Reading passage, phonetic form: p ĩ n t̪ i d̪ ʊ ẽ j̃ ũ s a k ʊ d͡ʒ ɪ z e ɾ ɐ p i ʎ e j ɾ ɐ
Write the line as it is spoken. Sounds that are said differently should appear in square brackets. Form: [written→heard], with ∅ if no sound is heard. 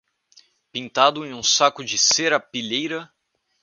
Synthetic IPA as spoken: p ĩ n t̪ [i→a] d̪ ʊ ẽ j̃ ũ s a k ʊ d͡ʒ ɪ [z→s] e ɾ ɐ p i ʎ e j ɾ ɐ